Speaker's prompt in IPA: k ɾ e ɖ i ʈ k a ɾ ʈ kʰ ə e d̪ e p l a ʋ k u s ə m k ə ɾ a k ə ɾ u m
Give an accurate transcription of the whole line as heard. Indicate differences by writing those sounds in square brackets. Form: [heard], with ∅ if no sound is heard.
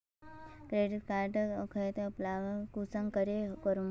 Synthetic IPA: k ɾ e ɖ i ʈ k a ɾ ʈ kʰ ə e [t̪] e p l a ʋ k u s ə [ŋ] k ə ɾ [e] k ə ɾ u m